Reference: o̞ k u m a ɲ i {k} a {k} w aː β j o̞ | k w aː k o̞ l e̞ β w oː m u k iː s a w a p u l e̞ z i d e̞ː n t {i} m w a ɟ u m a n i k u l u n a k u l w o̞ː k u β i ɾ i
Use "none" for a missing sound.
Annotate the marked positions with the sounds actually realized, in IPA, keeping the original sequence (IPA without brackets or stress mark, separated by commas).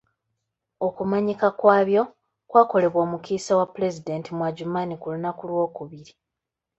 k, k, i